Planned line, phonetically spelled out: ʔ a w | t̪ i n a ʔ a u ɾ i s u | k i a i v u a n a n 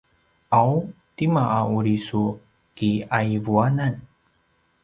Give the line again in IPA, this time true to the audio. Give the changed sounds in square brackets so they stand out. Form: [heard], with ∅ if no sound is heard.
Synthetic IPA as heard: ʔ a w | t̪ i [m] a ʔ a u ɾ i s u | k i a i v u a n a n